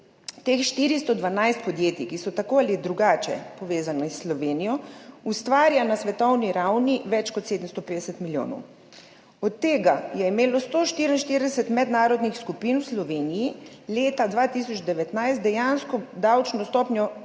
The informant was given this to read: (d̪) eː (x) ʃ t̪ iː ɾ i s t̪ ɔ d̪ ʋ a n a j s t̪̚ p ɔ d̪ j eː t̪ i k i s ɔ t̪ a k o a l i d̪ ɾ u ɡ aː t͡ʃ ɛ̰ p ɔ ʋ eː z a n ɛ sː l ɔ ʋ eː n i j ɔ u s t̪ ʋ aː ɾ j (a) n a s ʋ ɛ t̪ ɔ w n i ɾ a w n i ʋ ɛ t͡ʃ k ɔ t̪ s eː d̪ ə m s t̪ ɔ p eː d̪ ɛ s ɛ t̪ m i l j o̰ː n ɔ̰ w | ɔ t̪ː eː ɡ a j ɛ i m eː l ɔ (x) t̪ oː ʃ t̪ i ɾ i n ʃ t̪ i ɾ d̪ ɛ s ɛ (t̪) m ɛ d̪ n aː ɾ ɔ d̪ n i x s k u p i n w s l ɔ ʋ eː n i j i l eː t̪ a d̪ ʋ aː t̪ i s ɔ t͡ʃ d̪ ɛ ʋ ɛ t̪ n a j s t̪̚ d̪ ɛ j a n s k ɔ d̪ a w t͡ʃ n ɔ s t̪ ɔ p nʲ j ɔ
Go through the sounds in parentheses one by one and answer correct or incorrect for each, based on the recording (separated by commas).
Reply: incorrect, correct, correct, incorrect, correct